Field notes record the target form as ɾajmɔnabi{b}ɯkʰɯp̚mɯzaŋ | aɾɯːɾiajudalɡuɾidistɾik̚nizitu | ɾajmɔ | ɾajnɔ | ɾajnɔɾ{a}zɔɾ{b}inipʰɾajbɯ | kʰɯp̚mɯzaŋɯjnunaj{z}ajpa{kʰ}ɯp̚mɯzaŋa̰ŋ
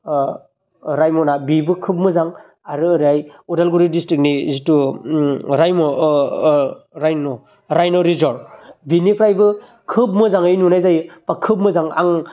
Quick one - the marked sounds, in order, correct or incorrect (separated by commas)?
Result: correct, incorrect, correct, correct, correct